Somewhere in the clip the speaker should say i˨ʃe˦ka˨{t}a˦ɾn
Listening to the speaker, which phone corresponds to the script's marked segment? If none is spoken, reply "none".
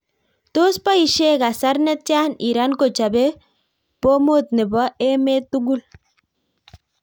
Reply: s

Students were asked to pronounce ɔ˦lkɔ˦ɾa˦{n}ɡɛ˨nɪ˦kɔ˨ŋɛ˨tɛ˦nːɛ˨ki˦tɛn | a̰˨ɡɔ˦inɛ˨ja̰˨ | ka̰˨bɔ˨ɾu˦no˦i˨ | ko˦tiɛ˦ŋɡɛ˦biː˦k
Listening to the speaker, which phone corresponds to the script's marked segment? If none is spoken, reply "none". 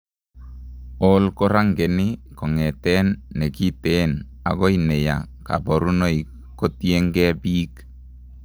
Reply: ŋ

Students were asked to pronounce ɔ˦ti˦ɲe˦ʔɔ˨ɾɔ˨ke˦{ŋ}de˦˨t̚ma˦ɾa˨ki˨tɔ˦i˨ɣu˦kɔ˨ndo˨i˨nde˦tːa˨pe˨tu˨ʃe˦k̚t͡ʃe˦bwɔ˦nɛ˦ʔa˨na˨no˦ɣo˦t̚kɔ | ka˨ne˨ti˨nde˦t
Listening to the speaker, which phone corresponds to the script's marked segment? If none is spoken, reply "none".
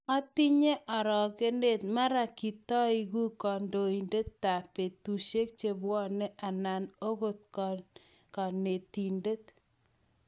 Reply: n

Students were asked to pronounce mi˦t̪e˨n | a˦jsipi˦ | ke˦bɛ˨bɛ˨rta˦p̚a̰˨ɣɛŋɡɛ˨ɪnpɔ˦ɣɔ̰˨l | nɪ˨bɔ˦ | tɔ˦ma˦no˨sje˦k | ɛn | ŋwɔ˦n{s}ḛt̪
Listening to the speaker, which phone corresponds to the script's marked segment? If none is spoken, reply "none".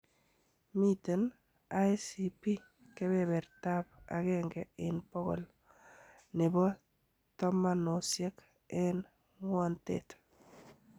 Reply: t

